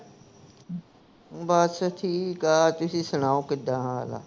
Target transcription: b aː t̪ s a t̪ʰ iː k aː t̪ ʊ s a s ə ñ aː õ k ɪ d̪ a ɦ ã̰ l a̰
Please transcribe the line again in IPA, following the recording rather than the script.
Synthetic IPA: b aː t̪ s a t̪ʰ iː k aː t̪ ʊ s i s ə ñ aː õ k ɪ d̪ a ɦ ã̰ l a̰

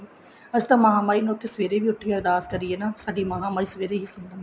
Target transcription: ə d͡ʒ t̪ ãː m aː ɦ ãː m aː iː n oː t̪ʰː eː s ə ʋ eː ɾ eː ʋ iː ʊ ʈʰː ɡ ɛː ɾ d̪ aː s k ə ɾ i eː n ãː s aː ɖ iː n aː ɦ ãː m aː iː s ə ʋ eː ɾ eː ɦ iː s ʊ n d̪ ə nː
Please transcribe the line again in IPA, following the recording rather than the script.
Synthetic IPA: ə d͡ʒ t̪ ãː m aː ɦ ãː m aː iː n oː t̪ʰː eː s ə ʋ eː ɾ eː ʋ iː ʊ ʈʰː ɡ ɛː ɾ d̪ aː s k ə ɾ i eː n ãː s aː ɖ iː m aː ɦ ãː m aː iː s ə ʋ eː ɾ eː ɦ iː s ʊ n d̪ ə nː

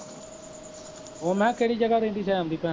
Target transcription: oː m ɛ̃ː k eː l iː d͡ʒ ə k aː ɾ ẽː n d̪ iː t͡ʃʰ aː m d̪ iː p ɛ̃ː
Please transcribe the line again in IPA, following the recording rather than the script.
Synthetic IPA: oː m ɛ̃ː k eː ɽ iː d͡ʒ ə ɡ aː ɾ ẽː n d̪ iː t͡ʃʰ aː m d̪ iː p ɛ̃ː

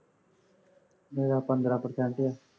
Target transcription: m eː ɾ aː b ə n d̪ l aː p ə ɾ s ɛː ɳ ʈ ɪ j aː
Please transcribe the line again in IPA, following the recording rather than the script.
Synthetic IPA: m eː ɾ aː p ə n d̪ ɾ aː p ə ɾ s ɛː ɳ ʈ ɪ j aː

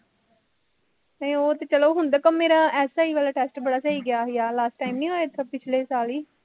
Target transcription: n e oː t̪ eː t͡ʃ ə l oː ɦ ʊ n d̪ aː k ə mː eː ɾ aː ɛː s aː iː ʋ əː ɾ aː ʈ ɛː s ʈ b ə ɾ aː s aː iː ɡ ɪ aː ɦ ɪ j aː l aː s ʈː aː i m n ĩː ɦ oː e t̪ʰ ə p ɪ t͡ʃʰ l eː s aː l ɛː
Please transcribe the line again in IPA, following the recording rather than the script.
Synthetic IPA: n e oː t̪ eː t͡ʃ ə l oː ɦ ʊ n d̪ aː k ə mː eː ɾ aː ɛː s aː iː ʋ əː l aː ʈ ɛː s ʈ b ə ɽ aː s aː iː ɡ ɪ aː ɦ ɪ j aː l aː s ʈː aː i m n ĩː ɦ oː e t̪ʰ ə p ɪ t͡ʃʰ l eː s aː l iː

